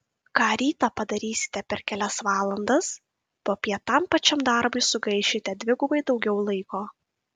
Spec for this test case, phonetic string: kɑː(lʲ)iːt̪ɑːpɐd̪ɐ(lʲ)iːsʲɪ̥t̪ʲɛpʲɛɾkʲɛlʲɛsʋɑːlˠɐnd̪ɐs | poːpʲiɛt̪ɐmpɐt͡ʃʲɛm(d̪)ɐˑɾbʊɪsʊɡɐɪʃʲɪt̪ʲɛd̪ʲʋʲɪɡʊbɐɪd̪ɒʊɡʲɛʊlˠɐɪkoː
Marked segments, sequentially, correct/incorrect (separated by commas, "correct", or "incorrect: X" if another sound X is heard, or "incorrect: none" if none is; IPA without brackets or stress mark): incorrect: ɾʲ, incorrect: ɾʲ, correct